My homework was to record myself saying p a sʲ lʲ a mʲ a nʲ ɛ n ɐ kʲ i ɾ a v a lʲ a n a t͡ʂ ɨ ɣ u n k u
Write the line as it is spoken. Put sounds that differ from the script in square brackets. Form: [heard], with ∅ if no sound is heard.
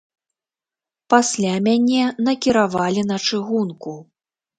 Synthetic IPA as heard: p a sʲ lʲ a mʲ a nʲ ɛ n ɐ kʲ i ɾ a v a lʲ [i] n [ɐ] t͡ʂ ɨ ɣ u n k u